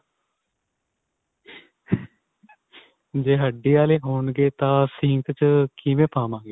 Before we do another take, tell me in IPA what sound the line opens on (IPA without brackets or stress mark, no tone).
d͡ʒ